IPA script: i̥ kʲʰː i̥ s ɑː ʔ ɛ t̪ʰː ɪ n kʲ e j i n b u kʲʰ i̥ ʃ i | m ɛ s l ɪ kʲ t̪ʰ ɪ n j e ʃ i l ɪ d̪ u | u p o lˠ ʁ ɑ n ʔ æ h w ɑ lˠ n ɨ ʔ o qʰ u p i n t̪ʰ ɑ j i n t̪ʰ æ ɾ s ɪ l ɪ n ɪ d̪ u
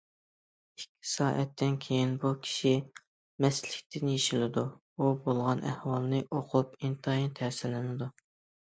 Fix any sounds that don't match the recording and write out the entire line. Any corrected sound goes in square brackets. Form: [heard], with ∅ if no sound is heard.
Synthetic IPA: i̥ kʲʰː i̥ s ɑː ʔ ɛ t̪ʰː ɪ n [kʲʰ] e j i n b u kʲʰ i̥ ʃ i | m ɛ s l ɪ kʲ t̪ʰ ɪ n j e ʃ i l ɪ d̪ u | u [b] o lˠ ʁ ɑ n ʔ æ h w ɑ lˠ n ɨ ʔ o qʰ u p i n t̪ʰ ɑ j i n t̪ʰ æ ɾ s ɪ l ɪ n ɪ d̪ u